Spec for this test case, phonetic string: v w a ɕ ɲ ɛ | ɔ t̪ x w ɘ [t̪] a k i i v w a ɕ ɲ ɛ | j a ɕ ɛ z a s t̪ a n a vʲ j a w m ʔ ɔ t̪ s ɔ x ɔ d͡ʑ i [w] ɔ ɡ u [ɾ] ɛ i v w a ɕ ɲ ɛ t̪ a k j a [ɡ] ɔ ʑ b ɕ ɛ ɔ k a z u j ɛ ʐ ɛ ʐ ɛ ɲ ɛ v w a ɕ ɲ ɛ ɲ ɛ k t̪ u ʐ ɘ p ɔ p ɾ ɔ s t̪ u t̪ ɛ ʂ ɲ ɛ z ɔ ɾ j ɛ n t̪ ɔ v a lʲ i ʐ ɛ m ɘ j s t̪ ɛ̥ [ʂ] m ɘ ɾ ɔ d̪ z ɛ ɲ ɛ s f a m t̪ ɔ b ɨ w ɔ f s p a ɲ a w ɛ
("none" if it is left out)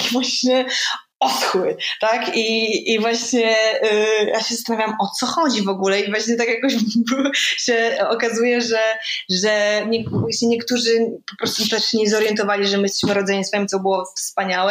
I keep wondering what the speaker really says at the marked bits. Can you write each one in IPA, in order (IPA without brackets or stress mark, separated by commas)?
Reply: t̪, v, l, k, ɕ